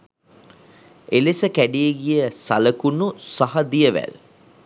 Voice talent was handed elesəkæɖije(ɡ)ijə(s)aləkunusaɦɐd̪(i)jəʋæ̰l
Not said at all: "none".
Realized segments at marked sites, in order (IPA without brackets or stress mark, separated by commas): ɡ, s, i